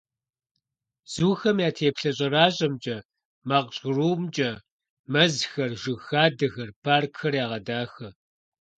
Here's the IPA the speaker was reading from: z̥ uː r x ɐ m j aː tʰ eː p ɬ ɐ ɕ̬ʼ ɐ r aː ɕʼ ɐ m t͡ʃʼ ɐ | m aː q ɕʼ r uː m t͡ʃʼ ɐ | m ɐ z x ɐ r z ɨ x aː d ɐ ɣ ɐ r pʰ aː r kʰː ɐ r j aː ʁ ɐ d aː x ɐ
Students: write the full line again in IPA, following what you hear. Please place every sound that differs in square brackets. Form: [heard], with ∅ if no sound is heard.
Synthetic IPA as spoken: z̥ uː [∅] x ɐ m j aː tʰ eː p ɬ ɐ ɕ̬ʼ ɐ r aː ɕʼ ɐ m t͡ʃʼ ɐ | m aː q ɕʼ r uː m t͡ʃʼ ɐ | m ɐ z x ɐ r [ʒ] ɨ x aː d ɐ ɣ ɐ r pʰ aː r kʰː ɐ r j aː ʁ ɐ d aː x ɐ